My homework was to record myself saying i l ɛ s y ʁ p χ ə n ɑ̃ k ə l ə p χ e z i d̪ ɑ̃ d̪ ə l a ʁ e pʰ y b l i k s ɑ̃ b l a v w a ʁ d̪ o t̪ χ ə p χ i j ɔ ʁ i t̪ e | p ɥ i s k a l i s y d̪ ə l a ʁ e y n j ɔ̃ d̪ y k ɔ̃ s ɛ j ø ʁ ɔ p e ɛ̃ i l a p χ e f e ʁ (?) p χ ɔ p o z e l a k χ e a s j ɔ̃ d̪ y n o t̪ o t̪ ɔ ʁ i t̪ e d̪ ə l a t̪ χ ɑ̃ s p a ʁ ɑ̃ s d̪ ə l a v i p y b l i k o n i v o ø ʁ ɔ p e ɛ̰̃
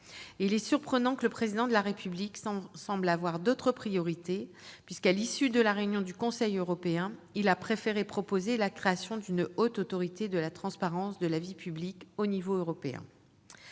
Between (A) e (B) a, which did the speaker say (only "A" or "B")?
A